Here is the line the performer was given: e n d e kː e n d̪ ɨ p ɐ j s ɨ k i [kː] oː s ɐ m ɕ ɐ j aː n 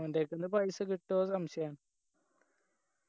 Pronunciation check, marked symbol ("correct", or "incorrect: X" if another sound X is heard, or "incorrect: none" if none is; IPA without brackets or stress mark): incorrect: ʈː